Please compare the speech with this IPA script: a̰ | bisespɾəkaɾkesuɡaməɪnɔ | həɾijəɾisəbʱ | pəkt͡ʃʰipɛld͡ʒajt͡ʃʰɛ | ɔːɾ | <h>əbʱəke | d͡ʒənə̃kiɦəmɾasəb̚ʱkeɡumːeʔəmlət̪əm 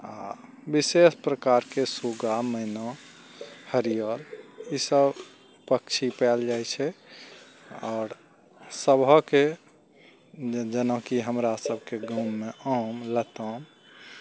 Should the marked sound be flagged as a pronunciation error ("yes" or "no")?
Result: yes